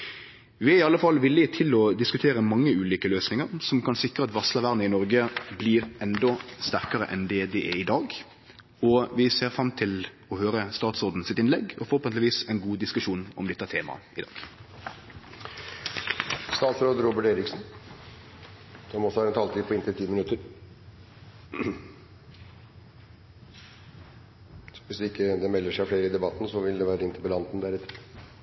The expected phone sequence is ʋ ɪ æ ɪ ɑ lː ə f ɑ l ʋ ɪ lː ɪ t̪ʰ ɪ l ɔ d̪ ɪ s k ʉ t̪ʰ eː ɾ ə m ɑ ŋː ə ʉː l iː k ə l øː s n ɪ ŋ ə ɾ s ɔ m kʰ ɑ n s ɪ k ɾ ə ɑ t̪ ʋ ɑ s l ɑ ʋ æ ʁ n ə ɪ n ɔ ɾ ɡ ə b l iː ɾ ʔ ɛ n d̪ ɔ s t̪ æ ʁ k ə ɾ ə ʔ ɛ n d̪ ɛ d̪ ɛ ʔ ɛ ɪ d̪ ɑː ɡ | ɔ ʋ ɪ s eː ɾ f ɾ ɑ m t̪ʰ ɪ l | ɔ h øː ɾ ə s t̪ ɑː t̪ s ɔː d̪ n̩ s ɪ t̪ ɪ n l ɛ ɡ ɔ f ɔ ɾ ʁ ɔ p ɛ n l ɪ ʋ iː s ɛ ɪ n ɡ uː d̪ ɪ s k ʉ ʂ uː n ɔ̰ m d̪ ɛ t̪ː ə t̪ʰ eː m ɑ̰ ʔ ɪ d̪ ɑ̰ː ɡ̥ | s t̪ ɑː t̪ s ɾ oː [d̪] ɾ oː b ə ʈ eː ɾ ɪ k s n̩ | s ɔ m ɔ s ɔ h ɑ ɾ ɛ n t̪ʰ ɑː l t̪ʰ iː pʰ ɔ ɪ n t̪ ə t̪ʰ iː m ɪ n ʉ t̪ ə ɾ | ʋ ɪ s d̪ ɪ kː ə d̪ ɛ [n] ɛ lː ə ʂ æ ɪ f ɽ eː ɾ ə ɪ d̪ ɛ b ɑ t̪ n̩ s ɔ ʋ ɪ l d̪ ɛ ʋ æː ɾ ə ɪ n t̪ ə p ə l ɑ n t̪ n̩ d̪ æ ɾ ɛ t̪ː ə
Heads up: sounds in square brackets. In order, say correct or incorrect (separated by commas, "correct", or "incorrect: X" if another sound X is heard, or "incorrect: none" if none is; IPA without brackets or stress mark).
correct, incorrect: m